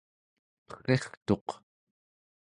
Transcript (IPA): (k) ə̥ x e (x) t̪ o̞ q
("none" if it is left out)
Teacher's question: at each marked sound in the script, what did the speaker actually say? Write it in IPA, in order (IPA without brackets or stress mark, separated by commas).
p, χ